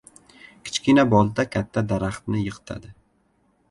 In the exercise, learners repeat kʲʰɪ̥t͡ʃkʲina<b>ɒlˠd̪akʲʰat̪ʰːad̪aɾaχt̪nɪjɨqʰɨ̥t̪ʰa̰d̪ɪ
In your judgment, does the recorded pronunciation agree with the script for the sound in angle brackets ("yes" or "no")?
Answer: yes